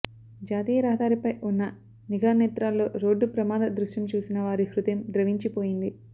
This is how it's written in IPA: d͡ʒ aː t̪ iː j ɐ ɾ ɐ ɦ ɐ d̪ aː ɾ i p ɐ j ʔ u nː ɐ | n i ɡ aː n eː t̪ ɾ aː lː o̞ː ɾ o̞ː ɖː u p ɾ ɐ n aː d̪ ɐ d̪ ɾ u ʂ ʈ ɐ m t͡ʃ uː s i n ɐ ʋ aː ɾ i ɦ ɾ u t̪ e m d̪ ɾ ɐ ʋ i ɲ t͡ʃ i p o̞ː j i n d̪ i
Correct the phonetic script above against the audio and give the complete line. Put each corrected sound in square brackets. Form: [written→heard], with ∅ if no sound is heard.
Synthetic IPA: d͡ʒ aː t̪ iː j ɐ ɾ ɐ ɦ ɐ d̪ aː ɾ i p ɐ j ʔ u nː ɐ | n i ɡ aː n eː t̪ ɾ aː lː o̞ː ɾ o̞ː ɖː u p ɾ ɐ [n→m] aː d̪ ɐ d̪ ɾ u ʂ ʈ ɐ m t͡ʃ uː s i n ɐ ʋ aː ɾ i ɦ ɾ u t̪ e m d̪ ɾ ɐ ʋ i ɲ t͡ʃ i p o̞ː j i n d̪ i